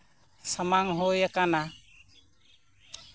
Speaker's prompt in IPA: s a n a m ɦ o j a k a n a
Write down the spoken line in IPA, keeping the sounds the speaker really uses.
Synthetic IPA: s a m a ŋ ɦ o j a k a n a